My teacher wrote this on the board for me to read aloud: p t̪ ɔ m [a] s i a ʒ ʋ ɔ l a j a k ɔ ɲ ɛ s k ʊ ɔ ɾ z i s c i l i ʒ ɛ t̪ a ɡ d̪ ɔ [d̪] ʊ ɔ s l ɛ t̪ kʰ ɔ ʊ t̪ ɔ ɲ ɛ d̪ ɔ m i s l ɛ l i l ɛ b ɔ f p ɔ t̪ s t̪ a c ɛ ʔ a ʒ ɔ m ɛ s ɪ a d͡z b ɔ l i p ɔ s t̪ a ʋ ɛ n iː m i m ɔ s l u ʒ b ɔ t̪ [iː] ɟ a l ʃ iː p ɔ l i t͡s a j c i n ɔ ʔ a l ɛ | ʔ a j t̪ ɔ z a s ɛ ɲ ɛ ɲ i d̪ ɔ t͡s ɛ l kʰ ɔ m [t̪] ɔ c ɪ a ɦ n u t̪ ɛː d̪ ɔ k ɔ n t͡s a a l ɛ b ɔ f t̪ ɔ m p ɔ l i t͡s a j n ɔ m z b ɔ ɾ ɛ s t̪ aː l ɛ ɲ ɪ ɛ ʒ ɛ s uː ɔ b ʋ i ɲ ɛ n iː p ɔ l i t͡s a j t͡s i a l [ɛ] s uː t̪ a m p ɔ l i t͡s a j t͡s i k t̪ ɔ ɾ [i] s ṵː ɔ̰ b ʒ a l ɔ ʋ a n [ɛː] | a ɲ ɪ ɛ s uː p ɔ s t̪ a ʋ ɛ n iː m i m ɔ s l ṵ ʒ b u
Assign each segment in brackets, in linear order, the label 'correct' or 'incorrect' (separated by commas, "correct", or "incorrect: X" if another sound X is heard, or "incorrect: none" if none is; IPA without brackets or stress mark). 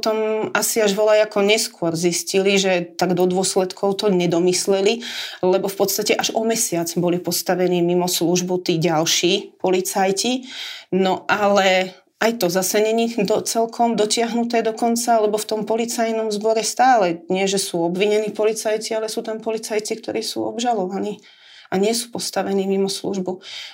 correct, correct, correct, incorrect: d̪, correct, incorrect: iː, incorrect: iː